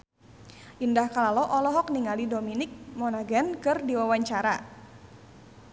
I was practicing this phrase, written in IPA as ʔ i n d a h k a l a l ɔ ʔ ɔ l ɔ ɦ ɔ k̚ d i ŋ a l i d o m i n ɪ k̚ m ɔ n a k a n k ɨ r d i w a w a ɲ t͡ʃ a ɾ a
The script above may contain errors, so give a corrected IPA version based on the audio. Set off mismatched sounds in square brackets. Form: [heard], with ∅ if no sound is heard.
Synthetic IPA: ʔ i n d a h k a l a l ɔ ʔ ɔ l ɔ ɦ ɔ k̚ [n] i ŋ a l i d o m i n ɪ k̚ m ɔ n a [ɡ] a n k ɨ r d i w a w a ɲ t͡ʃ a ɾ a